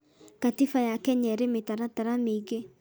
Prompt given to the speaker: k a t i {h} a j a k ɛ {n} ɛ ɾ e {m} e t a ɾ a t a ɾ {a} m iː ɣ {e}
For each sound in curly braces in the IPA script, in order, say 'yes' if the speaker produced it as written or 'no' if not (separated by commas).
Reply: no, no, yes, yes, yes